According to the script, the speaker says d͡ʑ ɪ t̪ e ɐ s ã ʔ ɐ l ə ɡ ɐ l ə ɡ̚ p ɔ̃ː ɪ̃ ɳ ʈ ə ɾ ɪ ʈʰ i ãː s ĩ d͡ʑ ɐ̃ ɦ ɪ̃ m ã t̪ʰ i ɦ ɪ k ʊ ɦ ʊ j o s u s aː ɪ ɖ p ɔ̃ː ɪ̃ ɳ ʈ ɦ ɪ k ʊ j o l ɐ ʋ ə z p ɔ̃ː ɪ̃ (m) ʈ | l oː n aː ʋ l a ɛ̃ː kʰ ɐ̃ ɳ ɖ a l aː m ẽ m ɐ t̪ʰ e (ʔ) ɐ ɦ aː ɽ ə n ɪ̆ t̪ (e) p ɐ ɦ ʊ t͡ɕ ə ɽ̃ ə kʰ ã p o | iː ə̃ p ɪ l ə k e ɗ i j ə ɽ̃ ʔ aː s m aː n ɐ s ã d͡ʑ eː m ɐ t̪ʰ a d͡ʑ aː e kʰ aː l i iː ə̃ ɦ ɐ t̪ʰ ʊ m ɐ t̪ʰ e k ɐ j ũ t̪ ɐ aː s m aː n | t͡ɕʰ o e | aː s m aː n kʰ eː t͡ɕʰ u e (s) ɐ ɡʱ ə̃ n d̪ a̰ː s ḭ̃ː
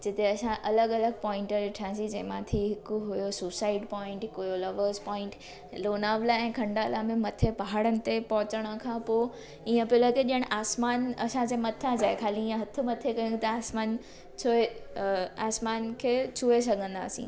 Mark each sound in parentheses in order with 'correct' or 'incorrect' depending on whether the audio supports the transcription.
incorrect: ɳ, incorrect: p, correct, correct

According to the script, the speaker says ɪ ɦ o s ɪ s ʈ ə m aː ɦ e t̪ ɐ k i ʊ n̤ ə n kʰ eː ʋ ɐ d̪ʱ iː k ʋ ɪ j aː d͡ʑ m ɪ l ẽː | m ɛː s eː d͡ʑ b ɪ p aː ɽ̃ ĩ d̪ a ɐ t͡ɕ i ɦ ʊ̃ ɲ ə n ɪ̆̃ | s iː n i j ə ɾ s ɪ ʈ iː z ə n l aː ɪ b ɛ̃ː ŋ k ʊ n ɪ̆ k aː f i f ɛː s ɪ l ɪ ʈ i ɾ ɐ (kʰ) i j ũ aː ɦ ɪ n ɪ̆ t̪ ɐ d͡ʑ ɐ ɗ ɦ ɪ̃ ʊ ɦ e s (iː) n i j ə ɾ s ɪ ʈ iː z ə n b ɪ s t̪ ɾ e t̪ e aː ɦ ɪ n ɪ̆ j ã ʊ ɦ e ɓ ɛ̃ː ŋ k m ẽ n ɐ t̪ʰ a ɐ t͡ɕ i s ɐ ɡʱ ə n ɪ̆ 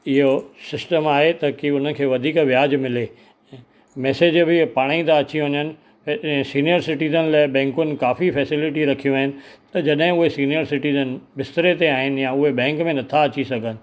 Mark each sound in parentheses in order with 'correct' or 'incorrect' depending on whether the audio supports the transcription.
correct, correct

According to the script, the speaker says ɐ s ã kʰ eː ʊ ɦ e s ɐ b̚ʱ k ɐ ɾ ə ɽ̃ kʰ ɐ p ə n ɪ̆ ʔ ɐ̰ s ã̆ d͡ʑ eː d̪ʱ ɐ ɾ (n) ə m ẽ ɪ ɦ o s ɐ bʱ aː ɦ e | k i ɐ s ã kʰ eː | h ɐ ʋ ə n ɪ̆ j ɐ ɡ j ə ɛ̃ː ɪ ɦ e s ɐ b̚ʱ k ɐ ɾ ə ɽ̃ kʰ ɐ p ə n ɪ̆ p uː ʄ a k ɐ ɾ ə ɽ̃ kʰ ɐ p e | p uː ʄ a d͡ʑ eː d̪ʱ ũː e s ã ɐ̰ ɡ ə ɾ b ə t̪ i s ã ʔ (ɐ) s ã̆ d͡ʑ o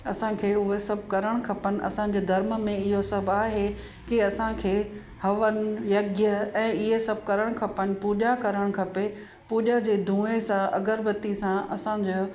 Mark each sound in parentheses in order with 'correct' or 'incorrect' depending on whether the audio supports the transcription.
incorrect: m, correct

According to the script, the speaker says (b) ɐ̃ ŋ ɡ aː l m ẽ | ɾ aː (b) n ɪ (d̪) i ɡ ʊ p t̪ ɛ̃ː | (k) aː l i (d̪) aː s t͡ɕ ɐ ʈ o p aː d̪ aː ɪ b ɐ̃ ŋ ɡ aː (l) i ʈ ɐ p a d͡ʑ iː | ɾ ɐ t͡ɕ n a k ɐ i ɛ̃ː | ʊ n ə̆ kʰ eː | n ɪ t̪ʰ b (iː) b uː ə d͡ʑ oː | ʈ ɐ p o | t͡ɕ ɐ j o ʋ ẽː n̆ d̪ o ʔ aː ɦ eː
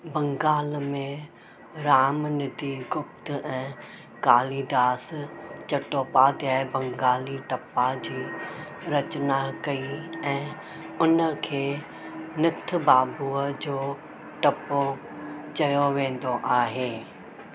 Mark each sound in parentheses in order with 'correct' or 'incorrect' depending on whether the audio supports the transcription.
correct, incorrect: m, correct, correct, correct, correct, incorrect: aː

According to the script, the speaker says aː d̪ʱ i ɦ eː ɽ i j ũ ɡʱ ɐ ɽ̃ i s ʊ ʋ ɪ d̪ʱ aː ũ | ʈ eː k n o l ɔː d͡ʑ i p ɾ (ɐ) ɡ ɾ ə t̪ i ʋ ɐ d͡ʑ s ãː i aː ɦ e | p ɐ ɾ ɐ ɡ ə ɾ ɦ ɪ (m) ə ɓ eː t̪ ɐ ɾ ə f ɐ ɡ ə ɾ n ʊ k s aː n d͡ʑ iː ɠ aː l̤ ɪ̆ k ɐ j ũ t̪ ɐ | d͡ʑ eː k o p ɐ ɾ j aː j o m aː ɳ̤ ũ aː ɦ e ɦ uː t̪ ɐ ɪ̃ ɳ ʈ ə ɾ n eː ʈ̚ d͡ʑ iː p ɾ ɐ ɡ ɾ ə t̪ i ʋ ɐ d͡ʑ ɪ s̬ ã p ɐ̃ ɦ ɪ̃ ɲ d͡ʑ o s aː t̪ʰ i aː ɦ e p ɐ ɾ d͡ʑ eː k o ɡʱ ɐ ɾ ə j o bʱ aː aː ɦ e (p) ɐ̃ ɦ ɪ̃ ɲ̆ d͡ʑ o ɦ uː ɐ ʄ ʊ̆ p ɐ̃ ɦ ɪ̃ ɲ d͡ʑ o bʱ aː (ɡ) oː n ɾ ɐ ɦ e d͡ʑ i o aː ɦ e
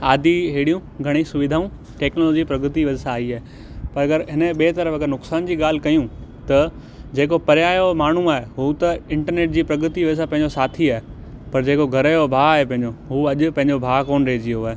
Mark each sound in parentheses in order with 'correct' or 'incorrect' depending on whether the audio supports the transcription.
correct, incorrect: n, correct, incorrect: k

